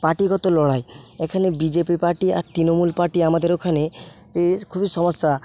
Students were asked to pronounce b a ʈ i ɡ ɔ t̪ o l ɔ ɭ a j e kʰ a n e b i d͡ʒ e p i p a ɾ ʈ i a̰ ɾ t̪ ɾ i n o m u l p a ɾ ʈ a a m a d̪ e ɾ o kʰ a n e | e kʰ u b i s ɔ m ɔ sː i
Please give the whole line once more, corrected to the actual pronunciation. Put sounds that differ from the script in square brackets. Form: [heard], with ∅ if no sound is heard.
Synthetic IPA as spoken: [p] a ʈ i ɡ ɔ t̪ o l ɔ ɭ a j e kʰ a n e b i d͡ʒ e p i p a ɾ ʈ i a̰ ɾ t̪ ɾ i n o m u l p a ɾ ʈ [i] a m a d̪ e ɾ o kʰ a n e | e kʰ u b i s ɔ m ɔ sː [a]